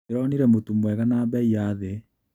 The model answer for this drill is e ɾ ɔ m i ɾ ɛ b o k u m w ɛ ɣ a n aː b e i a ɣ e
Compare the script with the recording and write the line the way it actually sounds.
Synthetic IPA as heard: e ɾ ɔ n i ɾ ɛ m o t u m w ɛ ɣ a n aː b ɛ i a ð e